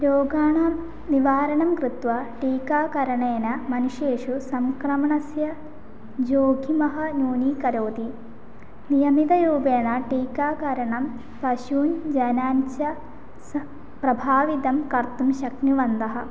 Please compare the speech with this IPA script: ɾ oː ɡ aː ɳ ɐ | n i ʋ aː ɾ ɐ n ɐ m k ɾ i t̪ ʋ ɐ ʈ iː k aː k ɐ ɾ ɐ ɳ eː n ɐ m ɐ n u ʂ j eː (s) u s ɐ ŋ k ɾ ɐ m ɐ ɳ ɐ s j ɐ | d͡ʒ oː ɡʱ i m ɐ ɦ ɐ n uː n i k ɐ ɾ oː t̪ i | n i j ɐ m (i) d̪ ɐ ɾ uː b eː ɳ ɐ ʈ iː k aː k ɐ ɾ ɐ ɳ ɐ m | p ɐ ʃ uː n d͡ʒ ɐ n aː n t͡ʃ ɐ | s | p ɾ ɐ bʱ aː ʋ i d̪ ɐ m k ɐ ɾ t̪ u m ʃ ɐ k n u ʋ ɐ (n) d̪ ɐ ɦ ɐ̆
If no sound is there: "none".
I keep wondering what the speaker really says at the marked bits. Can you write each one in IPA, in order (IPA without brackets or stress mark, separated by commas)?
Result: ʂ, i, n